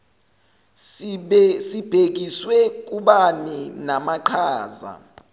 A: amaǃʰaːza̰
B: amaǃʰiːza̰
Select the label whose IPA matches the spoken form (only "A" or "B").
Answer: A